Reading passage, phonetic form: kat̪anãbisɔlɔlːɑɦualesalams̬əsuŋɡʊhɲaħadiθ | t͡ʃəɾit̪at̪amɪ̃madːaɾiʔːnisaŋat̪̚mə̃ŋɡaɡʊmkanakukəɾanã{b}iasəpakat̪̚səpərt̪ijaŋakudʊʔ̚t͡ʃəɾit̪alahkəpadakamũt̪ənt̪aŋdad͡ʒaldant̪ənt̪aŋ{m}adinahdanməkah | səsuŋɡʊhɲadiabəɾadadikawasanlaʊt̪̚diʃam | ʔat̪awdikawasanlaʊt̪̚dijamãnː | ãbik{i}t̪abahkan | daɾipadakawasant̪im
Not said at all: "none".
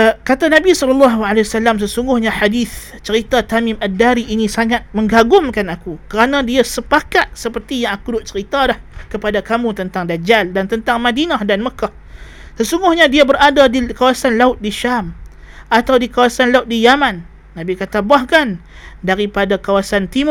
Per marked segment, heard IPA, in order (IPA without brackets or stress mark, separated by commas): d, m, a